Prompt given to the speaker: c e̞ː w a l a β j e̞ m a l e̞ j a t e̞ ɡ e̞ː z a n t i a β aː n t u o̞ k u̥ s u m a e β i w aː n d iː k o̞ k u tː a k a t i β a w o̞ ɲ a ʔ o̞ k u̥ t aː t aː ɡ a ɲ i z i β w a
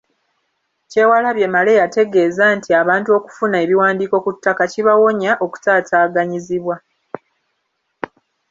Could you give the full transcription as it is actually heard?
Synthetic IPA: c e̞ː w a l a β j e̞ m a l e̞ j a t e̞ ɡ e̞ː z a n t i a β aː n t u o̞ k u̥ f u n a e β i w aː n d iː k o̞ k u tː a k a c i β a w o̞ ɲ a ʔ o̞ k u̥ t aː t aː ɡ a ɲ i z i β w a